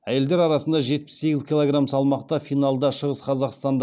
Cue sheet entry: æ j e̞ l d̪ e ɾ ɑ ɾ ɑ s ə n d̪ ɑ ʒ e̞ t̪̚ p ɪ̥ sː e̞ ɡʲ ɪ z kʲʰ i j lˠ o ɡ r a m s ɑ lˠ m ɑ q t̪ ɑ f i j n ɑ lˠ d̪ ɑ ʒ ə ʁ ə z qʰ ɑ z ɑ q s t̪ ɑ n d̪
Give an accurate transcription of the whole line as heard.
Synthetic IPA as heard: æ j e̞ l d̪ e ɾ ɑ ɾ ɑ s ə n d̪ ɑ ʒ e̞ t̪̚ p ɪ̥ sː e̞ ɡʲ ɪ z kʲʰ i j lˠ o ɡ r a m s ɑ lˠ m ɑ q t̪ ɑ f i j n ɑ lˠ d̪ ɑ ʃ ə ʁ ə s qʰ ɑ z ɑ q s t̪ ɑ n d̪